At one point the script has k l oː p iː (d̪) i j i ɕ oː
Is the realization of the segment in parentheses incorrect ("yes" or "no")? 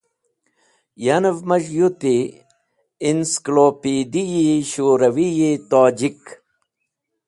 no